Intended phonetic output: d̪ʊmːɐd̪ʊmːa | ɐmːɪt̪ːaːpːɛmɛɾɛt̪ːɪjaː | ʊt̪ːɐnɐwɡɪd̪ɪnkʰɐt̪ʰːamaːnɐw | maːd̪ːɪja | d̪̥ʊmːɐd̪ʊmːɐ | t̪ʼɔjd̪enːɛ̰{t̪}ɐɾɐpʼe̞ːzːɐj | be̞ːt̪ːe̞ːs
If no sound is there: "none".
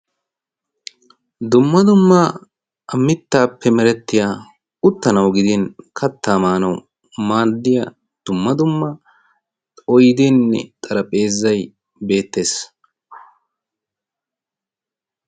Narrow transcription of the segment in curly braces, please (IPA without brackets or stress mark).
t̪ʼ